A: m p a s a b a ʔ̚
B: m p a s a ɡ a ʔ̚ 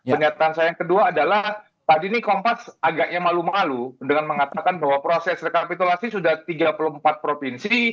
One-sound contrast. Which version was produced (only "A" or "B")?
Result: B